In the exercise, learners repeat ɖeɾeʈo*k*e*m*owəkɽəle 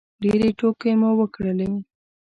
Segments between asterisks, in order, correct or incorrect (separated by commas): correct, correct